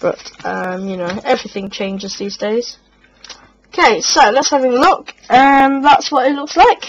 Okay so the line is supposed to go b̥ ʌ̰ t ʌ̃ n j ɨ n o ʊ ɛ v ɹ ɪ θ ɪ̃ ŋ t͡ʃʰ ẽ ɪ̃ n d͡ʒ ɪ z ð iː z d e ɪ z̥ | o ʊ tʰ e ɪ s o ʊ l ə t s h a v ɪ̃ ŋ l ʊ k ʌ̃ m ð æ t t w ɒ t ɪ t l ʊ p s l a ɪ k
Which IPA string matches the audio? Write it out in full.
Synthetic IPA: b̥ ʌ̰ t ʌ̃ m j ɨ n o ʊ ɛ v ɹ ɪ θ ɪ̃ ŋ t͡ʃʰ ẽ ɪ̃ n d͡ʒ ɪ z ð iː z d e ɪ z̥ | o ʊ kʰ e ɪ s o ʊ l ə t s h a v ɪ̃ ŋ l ʊ k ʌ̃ m ð æ t s w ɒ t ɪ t l ʊ k s l a ɪ k